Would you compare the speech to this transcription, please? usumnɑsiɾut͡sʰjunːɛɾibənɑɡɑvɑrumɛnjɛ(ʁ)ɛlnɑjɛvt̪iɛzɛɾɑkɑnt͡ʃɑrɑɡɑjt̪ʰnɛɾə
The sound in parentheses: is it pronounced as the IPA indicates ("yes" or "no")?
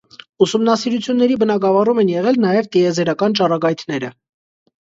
yes